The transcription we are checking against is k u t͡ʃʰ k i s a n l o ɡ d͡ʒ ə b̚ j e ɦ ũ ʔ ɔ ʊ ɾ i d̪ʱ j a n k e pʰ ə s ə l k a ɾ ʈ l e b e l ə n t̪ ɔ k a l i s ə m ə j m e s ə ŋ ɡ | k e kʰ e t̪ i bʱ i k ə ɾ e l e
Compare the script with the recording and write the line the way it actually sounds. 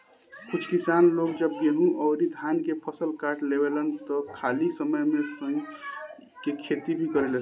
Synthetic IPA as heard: k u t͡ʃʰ k i s a n l o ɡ d͡ʒ ə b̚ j e ɦ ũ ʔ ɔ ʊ ɾ i d̪ʱ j a n k e pʰ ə s ə l k a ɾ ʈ l e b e l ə n t̪ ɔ kʰ a l i s ə m ə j m e s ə ŋ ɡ | k e kʰ e t̪ i bʱ i k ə ɾ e l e